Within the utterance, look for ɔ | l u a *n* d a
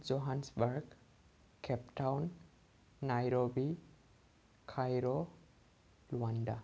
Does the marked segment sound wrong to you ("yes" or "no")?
no